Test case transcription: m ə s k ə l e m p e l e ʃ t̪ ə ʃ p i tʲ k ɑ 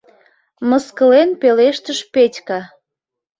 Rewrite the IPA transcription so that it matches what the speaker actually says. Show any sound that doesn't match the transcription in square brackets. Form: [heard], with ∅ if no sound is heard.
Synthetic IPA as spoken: m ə s k ə l e [n] p e l e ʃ t̪ ə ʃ p [e] tʲ k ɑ